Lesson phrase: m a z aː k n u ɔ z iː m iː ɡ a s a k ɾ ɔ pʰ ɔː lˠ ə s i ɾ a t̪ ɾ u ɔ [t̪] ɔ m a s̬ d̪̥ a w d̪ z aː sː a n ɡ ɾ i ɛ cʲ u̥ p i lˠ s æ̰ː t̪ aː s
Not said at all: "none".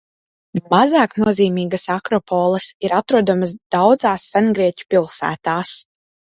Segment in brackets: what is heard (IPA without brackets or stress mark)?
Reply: d̪